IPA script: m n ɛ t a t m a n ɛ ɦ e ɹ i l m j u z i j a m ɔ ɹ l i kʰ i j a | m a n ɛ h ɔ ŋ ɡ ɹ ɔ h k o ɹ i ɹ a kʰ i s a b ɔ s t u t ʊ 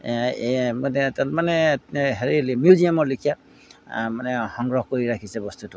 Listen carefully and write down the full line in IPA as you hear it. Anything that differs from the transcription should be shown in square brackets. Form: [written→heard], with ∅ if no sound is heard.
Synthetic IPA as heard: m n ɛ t a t m a n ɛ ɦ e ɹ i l m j u z i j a m ɔ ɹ l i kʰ i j a | m a n ɛ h ɔ ŋ ɡ ɹ ɔ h k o ɹ i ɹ a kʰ i s [a→ɛ] b ɔ s t u t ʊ